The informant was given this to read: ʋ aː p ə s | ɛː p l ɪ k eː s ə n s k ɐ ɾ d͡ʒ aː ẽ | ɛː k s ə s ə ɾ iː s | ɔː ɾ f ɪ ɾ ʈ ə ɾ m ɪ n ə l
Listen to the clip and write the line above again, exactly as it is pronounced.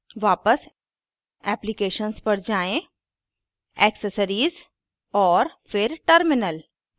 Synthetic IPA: ʋ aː p ə s | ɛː p l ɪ k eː ʃ ə n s p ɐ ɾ d͡ʒ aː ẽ | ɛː k s ə s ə ɾ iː z | ɔː ɾ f ɪ ɾ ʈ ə ɾ m ɪ n ə l